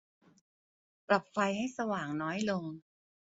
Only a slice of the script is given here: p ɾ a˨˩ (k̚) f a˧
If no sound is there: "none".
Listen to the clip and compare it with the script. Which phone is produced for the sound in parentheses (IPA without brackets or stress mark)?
p̚